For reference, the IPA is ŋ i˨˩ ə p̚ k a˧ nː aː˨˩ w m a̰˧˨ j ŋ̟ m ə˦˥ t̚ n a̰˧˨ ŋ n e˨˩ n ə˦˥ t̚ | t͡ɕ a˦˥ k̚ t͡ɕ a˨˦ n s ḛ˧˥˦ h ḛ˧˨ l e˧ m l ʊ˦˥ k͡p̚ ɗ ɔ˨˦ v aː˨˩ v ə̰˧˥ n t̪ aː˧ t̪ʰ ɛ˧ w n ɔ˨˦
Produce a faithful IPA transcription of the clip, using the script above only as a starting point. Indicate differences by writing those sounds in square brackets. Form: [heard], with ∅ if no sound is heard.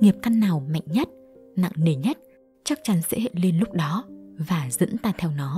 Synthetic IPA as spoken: ŋ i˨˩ ə p̚ k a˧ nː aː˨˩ w m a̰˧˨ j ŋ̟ [ɲ] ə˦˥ t̚ n a̰˧˨ ŋ n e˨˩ [ɲ] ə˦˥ t̚ | t͡ɕ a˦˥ k̚ t͡ɕ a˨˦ n s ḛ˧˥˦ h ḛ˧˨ l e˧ [n] l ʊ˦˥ k͡p̚ ɗ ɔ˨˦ v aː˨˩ [z] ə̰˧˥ n t̪ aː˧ t̪ʰ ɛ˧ w n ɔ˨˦